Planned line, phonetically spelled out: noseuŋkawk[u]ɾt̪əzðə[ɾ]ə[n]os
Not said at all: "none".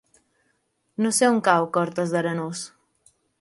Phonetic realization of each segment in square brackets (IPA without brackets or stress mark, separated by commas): ɔ, ɾ, n